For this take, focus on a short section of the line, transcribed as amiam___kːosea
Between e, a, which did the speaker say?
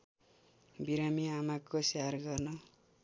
a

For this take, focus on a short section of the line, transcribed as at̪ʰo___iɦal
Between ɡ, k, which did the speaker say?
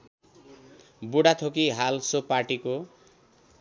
k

